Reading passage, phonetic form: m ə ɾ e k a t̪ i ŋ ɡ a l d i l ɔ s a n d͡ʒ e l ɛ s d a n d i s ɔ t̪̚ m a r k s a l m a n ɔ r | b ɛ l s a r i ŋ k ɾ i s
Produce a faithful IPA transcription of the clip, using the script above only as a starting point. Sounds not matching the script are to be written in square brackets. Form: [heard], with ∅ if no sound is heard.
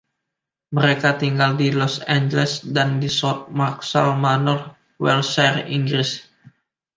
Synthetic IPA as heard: m ə ɾ e k a t̪ i ŋ ɡ a l d i l ɔ s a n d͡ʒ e l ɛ s d a n d i s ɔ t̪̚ m a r k s a l m a n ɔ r | [w] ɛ l s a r i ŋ [ɡ] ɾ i s